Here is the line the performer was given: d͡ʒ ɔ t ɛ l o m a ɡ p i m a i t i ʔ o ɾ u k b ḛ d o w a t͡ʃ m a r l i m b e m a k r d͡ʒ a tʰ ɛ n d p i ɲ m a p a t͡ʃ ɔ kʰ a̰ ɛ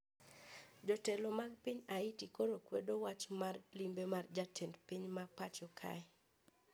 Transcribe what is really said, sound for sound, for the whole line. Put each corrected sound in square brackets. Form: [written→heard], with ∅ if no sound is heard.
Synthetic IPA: d͡ʒ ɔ t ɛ l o m a ɡ p i [m→ɲ] a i t i [ʔ→k] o ɾ [u→o] k [b→w] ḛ d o w a t͡ʃ m a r l i m b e m a [k→∅] r d͡ʒ a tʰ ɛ n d p i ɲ m a p a t͡ʃ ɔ kʰ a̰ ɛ